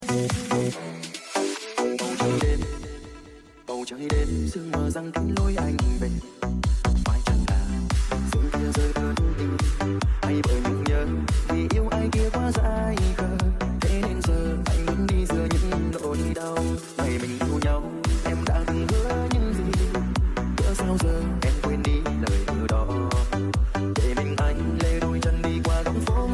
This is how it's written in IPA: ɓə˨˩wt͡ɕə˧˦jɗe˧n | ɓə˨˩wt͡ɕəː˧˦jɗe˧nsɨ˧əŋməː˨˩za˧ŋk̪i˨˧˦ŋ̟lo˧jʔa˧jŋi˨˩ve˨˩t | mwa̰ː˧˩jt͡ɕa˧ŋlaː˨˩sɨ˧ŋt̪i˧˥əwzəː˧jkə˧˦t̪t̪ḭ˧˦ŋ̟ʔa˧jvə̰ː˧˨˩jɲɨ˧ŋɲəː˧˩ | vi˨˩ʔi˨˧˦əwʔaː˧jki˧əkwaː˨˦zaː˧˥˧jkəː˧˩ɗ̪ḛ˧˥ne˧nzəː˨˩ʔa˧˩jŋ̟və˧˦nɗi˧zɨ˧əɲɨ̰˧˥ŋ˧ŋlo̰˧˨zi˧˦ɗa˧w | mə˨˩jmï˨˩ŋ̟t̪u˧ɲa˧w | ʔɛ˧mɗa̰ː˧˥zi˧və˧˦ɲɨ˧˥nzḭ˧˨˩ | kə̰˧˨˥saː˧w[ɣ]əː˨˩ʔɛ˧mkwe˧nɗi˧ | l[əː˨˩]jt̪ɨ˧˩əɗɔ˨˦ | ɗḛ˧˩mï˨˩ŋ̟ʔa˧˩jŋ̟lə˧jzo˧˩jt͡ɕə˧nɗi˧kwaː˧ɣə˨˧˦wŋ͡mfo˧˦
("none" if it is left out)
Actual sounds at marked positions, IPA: z, əː˨˩

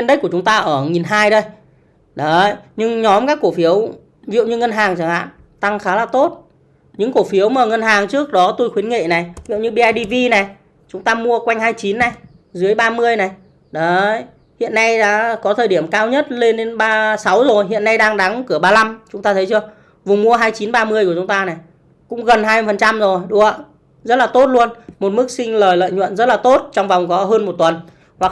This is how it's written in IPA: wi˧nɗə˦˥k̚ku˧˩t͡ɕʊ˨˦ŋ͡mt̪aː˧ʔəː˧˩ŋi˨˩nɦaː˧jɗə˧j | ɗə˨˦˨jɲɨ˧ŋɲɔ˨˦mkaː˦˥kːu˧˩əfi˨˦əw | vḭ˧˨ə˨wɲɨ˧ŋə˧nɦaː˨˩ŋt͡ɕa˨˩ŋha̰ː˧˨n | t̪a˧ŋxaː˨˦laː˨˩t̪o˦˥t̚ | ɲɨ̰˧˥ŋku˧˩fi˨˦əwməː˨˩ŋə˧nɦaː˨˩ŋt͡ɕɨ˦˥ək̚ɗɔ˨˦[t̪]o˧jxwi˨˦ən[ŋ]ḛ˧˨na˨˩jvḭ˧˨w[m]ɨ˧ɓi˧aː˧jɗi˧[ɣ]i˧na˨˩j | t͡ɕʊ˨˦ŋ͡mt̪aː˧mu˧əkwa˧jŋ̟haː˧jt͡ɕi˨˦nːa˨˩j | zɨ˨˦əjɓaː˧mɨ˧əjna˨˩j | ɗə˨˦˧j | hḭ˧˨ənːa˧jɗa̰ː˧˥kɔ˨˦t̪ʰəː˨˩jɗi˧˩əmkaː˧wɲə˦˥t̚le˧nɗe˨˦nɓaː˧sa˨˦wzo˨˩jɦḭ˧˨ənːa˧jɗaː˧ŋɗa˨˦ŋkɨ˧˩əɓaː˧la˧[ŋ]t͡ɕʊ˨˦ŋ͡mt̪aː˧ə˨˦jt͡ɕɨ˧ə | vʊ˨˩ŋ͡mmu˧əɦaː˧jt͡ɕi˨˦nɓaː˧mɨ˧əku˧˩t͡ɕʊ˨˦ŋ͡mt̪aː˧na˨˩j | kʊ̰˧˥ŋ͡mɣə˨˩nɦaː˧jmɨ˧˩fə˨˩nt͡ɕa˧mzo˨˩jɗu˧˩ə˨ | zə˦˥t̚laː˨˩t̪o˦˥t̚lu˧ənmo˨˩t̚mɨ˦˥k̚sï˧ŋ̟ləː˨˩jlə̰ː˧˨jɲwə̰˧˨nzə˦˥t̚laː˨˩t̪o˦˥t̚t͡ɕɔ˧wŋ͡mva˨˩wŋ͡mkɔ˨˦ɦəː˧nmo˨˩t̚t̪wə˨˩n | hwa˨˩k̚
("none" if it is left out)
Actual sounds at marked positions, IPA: t̪, ŋ, ɲ, v, m

